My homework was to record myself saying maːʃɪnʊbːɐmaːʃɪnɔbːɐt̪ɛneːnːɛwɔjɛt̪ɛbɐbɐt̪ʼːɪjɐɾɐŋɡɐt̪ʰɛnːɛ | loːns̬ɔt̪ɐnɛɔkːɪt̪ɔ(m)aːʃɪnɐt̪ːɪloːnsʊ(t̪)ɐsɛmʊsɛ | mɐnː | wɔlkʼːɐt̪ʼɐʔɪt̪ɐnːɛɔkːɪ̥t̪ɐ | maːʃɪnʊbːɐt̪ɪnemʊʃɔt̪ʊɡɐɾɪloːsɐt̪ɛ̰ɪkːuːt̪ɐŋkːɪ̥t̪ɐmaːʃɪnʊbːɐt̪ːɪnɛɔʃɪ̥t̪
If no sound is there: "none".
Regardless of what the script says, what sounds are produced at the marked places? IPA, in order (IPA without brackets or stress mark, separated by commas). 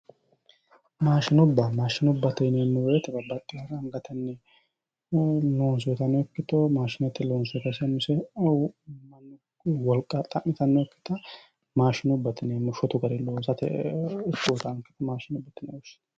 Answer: m, t̪